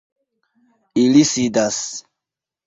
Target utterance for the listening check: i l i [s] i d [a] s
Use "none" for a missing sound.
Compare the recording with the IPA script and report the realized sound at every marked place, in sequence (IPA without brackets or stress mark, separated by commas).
s, a